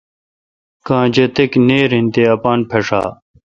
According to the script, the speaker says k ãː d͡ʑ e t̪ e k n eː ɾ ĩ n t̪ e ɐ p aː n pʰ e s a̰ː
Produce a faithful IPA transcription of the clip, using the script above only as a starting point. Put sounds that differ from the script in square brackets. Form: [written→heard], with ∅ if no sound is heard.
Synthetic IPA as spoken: k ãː d͡ʑ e t̪ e k n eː ɾ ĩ n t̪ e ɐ p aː n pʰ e [s→ʂ] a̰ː